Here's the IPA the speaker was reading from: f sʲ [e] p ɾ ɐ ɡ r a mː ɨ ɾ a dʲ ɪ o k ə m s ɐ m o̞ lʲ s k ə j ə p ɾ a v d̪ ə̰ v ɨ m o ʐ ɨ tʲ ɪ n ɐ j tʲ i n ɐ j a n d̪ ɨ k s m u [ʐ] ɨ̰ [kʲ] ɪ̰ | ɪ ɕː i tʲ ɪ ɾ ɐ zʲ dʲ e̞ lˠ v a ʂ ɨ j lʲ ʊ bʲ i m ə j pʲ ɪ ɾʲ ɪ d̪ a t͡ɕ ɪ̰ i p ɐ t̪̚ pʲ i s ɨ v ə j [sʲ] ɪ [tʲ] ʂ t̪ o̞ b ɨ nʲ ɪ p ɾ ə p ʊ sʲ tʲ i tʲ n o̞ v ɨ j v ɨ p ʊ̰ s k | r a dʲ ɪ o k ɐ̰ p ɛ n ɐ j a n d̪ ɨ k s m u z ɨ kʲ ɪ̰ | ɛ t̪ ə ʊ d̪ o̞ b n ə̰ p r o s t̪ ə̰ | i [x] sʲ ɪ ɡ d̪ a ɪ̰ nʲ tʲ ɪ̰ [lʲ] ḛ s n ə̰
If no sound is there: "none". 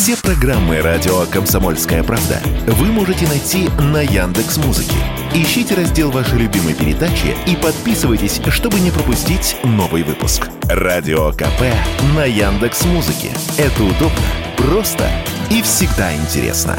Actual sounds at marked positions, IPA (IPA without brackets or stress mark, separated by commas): e, z, kʲ, tʲ, sʲ, f, ɾʲ